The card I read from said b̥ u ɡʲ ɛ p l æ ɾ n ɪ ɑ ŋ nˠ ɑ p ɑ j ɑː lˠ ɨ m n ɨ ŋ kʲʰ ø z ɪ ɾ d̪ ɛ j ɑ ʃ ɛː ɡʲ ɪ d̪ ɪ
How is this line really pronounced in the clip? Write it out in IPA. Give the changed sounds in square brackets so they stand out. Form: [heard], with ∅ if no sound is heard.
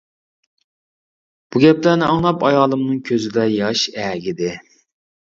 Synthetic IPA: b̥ u ɡʲ ɛ p l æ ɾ n ɪ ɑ ŋ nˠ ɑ p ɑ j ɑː lˠ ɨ m n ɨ ŋ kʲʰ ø z ɪ [∅] d̪ ɛ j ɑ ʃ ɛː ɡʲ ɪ d̪ ɪ